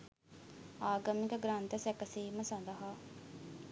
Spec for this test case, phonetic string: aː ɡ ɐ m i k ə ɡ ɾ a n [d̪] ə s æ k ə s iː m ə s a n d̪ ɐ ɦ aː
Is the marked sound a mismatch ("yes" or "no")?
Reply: yes